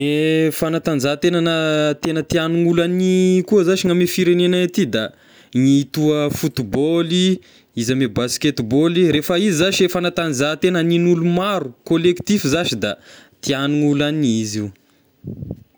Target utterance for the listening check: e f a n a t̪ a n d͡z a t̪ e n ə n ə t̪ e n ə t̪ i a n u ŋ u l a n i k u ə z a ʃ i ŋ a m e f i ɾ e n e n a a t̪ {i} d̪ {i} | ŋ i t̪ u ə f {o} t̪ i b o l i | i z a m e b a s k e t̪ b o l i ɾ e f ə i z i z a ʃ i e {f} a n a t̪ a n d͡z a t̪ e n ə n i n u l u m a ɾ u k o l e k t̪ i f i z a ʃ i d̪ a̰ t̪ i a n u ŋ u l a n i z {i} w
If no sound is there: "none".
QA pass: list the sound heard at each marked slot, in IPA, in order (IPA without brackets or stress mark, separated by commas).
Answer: i, a, u, f, i